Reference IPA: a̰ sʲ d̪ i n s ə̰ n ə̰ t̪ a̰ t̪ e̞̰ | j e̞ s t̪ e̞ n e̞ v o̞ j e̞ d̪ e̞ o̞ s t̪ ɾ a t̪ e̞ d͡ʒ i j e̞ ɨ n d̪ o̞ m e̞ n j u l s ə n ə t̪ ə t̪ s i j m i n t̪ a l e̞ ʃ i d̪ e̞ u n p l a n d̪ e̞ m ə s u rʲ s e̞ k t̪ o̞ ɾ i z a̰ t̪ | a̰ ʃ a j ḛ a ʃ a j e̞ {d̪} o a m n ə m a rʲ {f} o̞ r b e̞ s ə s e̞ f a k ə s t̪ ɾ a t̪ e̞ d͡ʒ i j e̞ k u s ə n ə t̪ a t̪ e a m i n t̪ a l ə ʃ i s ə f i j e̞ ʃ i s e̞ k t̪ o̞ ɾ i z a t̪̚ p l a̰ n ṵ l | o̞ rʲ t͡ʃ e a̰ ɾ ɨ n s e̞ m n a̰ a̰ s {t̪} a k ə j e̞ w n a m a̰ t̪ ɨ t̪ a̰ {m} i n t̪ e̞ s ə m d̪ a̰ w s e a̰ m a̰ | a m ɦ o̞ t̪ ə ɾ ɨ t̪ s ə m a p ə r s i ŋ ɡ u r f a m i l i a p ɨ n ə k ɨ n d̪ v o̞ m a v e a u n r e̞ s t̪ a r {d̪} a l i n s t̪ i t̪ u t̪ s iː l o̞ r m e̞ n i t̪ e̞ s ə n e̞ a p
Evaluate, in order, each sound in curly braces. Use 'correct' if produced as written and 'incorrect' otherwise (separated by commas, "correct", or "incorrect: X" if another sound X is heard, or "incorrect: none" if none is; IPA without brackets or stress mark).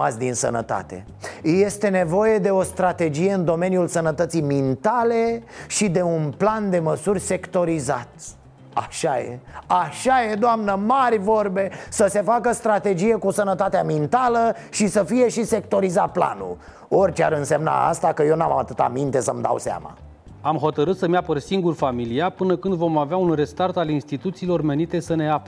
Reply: correct, incorrect: v, correct, correct, incorrect: t̪